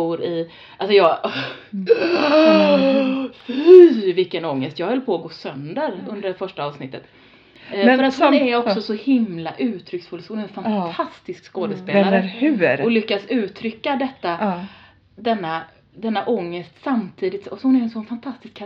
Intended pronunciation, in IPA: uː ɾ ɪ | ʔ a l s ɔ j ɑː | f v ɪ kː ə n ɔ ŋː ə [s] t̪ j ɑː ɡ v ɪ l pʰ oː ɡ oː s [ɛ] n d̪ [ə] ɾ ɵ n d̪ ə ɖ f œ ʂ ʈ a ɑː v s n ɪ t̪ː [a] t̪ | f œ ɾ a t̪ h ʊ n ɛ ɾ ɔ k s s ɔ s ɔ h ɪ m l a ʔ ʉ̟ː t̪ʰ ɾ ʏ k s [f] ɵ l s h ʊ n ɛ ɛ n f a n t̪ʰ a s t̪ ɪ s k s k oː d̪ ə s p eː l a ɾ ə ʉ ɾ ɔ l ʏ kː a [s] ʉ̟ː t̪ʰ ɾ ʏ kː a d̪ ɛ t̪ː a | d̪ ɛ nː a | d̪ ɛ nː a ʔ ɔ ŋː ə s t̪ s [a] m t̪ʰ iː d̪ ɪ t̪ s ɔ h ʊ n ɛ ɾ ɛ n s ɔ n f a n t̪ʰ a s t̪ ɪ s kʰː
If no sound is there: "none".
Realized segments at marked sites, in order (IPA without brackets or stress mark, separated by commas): s, œ, ə, ə, f, s, a